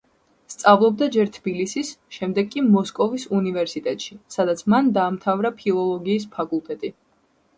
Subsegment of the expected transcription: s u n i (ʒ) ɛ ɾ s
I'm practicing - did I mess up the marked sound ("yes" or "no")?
yes